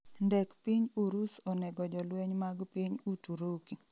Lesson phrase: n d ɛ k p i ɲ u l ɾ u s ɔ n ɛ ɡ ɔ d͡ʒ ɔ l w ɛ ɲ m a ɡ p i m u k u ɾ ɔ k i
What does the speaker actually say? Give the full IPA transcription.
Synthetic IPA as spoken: n d ɛ k p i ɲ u ɾ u s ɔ n ɛ ɡ ɔ d͡ʒ ɔ l w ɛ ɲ m a ɡ p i ɲ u t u ɾ o k i